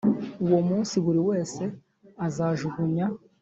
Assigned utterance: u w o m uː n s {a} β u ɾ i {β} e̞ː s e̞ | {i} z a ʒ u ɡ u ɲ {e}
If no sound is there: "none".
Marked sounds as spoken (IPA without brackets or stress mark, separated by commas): i, w, a, a